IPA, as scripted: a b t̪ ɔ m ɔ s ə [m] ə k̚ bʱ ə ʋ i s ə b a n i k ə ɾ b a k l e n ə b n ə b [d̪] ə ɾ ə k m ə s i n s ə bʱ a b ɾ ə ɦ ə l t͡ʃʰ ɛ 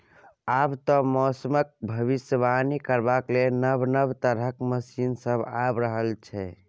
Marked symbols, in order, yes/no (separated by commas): yes, no